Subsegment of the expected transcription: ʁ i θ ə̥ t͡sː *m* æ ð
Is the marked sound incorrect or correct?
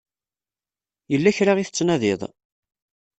incorrect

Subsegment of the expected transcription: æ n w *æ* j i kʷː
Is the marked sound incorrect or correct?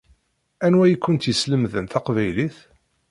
correct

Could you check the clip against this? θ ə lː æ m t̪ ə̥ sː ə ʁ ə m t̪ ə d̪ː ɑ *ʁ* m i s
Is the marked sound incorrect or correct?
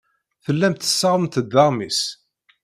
correct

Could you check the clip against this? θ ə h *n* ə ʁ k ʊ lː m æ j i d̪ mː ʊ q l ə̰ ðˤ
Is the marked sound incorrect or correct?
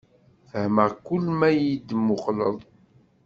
incorrect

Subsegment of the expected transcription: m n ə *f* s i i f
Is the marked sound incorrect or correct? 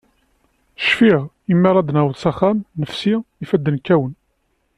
correct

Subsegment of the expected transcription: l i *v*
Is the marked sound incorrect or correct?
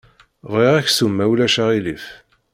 incorrect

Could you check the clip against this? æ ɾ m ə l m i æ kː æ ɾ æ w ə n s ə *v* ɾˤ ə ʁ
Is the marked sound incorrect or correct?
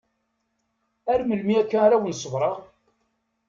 correct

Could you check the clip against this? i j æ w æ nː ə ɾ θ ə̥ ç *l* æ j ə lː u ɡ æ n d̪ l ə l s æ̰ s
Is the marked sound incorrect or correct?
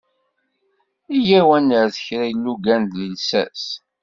incorrect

